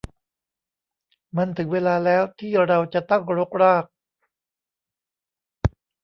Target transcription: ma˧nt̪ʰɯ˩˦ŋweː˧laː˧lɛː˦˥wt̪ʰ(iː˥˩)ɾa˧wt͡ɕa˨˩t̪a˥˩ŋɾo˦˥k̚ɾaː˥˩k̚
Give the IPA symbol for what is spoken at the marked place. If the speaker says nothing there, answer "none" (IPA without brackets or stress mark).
iː˥˩